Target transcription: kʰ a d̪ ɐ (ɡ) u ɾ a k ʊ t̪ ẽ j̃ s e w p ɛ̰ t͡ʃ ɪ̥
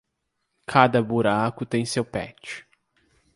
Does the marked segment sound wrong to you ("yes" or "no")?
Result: yes